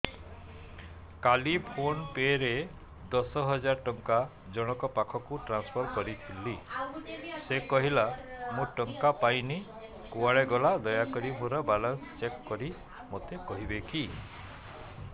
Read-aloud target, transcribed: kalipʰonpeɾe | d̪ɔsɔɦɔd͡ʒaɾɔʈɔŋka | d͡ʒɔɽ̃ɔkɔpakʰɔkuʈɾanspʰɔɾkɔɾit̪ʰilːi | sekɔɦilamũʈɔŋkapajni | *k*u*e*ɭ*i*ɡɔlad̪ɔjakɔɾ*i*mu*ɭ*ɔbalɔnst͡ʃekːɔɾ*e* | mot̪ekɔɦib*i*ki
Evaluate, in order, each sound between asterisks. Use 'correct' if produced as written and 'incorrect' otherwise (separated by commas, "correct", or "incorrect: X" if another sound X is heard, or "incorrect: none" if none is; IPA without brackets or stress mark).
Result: correct, incorrect: a, incorrect: e, correct, incorrect: ɾ, incorrect: i, incorrect: e